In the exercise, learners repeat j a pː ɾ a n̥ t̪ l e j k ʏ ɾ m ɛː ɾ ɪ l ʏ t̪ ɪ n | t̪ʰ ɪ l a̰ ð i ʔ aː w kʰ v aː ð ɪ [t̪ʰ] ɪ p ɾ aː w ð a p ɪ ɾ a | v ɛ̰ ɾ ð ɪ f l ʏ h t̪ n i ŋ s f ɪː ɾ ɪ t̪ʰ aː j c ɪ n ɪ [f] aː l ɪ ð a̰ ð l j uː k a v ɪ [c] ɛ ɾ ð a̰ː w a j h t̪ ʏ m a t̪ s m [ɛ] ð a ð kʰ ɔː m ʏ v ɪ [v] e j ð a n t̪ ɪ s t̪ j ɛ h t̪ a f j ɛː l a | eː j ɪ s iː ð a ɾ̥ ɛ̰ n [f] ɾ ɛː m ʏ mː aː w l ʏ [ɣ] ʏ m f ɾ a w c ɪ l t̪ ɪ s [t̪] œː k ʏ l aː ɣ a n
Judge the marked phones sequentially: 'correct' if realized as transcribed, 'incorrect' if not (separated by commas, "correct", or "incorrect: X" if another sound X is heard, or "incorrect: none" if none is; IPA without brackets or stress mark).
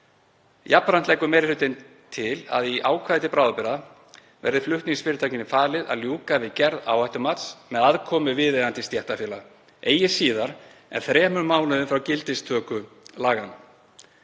incorrect: t̪, correct, correct, correct, incorrect: ð, incorrect: θ, incorrect: ð, incorrect: t̪ʰ